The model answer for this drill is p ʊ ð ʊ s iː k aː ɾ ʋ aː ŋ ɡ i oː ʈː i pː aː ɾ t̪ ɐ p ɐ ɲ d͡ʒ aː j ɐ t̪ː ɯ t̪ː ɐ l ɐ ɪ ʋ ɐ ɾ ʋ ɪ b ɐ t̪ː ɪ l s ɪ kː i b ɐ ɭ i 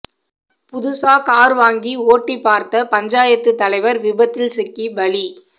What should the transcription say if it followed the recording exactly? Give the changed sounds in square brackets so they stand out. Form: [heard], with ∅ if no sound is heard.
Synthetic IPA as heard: p ʊ ð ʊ s [aː] k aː ɾ ʋ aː ŋ ɡ i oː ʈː i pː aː ɾ t̪ ɐ p ɐ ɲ d͡ʒ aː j ɐ t̪ː ɯ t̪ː ɐ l ɐ ɪ ʋ ɐ ɾ ʋ ɪ b ɐ t̪ː ɪ l s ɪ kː i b ɐ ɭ i